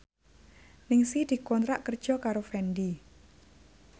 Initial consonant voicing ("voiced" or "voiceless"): voiced